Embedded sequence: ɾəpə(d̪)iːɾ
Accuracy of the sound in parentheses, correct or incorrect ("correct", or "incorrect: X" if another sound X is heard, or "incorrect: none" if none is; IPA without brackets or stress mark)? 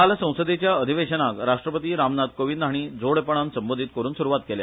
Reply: incorrect: t̪